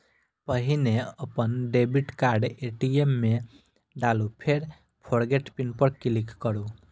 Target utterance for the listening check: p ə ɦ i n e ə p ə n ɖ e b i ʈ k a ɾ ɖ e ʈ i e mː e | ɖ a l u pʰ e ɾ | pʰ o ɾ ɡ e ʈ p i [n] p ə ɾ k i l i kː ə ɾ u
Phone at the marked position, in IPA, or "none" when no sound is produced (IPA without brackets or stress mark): n